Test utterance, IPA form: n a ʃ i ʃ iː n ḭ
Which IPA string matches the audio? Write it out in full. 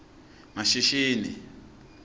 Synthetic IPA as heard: m a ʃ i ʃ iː n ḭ

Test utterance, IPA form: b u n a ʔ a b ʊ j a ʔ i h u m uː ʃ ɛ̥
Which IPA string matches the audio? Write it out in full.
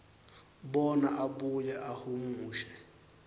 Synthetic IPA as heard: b ɔ n a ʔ a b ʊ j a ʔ a h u m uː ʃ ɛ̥

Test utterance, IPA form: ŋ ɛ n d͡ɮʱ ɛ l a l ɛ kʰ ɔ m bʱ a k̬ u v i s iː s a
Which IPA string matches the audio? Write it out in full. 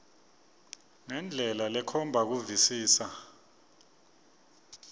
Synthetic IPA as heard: ŋ ɛ n d͡ɮʱ ɛ l a l ɛ kʰ ɔ m bʱ a k̬ u v i s iː s a

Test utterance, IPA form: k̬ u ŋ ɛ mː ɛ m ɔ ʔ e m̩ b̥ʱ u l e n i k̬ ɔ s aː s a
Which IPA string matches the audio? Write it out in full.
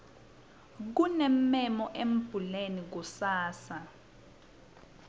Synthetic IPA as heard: k̬ u n ɛ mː ɛ m ɔ ʔ e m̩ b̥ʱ u l e n i k̬ u s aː s a

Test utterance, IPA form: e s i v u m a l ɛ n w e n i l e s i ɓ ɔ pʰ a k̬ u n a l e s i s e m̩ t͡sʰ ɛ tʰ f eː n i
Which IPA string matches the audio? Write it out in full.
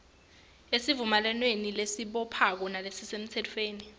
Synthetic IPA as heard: e s i v u m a l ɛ n w e n i l e s i ɓ ɔ pʰ a k̬ ɔ n a l e s i s e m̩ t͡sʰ ɛ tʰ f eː n i

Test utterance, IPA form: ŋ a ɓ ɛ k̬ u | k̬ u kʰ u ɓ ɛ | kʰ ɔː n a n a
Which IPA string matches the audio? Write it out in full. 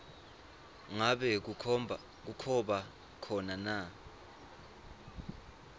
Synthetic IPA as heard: ŋ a ɓ ɛ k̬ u | k̬ u kʰ ɔ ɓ a | kʰ ɔ n a n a

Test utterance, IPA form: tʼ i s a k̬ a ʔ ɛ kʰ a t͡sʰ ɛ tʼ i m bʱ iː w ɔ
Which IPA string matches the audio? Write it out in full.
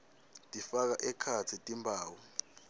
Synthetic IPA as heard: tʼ i f a k̬ a ʔ ɛ kʰ a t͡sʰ i tʼ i m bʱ aː w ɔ

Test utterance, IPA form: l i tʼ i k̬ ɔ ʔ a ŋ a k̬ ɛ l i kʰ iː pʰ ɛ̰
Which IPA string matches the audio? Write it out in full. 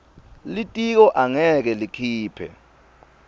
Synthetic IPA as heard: l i tʼ i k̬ ɔ ʔ a ŋ ɛ k̬ ɛ l i kʰ iː pʰ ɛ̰

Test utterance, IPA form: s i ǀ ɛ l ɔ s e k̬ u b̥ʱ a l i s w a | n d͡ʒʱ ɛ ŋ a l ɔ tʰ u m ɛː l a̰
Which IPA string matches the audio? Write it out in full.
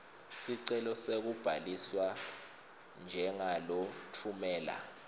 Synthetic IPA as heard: s i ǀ ɛ l ɔ s e k̬ u b̥ʱ a l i s w a | n d͡ʒʱ ɛ ŋ a l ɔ tʰ u m ɛː l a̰

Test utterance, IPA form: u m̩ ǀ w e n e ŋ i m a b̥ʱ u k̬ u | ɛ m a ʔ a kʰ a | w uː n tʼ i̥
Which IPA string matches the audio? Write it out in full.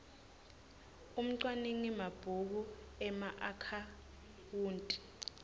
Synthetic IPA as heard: u m̩ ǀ w a n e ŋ i m a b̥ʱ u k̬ u | ɛ m a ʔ a kʰ a | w uː n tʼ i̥

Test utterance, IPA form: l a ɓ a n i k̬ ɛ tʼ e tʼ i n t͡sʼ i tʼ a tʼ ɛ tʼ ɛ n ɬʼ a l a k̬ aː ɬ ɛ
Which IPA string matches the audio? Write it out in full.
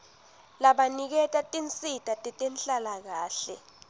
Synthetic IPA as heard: l a ɓ a n i k̬ ɛ tʼ a tʼ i n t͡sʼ i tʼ a tʼ ɛ tʼ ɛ n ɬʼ a l a k̬ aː ɬ ɛ

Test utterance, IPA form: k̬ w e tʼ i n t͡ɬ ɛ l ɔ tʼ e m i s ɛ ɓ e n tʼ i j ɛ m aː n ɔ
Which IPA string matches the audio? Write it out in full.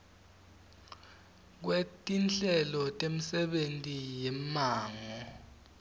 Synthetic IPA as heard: k̬ w e tʼ i n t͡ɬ ɛ l ɔ tʼ e m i s ɛ ɓ e n tʼ i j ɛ m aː ŋ ɔ

